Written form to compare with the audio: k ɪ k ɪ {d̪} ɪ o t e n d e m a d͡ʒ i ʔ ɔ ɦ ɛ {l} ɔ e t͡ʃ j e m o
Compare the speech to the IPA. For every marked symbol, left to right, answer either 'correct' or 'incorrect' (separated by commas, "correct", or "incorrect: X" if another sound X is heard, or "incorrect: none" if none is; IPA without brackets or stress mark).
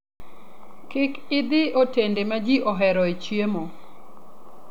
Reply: correct, incorrect: ɾ